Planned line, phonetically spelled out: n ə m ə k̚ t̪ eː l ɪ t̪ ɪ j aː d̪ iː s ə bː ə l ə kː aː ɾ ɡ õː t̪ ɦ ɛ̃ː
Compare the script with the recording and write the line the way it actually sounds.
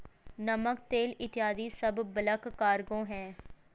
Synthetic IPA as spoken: n ə m ə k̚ t̪ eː l ɪ t̪ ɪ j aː d̪ iː s ə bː ə l ə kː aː ɾ ɡ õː ɦ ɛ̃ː